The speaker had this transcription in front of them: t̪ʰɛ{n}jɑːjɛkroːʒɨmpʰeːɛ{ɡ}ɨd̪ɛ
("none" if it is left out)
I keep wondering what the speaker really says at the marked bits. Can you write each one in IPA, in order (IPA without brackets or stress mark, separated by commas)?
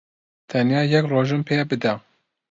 n, b